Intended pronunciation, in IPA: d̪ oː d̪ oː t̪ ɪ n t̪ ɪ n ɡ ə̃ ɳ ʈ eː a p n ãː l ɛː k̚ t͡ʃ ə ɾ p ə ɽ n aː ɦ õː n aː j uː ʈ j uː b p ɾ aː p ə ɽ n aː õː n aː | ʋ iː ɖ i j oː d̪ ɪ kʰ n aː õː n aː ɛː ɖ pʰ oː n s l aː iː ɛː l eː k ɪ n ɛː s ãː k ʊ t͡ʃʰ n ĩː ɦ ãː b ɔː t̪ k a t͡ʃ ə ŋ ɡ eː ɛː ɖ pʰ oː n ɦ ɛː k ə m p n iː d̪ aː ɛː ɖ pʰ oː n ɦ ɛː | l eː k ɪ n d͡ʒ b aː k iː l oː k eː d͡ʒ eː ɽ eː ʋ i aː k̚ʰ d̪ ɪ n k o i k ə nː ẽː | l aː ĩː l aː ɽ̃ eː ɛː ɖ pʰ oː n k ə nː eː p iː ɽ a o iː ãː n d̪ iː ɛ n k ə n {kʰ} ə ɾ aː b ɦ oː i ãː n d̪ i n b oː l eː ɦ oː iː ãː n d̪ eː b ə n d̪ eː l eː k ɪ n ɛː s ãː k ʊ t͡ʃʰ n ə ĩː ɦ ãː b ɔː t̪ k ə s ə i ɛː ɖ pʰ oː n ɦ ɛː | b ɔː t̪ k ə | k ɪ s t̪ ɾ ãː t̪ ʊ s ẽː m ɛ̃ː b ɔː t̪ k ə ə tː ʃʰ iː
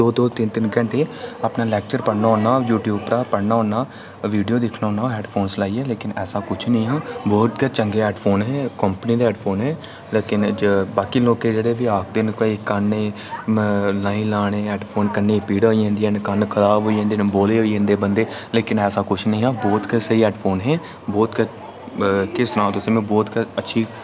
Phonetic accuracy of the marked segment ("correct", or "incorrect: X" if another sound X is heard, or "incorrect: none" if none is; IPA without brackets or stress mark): correct